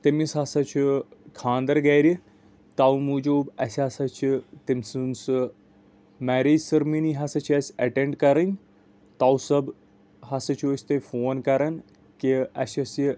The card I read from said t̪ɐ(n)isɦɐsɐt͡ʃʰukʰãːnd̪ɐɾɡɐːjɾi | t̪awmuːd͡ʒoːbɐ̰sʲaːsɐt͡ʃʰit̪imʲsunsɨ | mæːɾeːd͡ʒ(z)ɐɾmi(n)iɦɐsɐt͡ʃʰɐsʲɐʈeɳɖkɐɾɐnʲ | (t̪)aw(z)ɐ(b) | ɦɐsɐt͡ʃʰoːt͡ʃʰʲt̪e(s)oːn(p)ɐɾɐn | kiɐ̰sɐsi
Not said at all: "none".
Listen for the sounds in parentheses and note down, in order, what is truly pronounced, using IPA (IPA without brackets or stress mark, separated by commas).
m, s, n, t̪, s, b, f, k